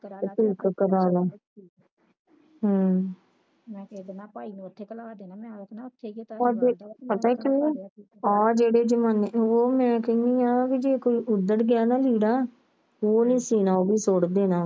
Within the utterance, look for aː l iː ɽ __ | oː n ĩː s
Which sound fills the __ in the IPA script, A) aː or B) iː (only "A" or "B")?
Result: A